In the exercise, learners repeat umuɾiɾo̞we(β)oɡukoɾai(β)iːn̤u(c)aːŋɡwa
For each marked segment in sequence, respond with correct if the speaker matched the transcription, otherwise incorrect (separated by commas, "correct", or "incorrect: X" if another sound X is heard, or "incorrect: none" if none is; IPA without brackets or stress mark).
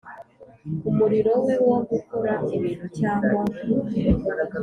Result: incorrect: w, correct, correct